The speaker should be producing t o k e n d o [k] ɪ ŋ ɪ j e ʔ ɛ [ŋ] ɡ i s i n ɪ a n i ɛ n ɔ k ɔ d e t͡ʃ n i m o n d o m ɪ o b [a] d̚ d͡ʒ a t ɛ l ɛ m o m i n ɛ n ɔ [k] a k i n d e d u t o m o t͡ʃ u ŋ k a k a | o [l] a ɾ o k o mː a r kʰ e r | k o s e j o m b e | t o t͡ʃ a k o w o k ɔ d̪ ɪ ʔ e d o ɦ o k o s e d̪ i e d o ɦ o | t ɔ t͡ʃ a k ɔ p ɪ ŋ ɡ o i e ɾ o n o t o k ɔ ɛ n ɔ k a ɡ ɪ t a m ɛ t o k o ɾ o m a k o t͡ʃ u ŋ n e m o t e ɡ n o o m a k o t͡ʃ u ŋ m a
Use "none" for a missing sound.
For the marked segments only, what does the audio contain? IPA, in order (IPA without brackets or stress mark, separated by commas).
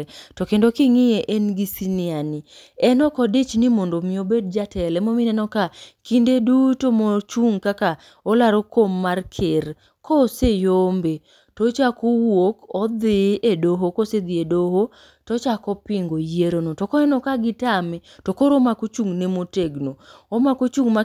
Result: k, n, e, k, l